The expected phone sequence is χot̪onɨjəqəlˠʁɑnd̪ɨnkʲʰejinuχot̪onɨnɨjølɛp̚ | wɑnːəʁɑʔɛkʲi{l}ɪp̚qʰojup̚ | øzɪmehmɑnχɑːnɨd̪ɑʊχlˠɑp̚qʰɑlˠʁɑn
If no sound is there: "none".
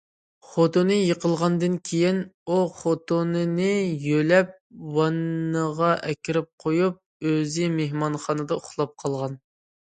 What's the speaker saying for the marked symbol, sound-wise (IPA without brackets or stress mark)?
ɾ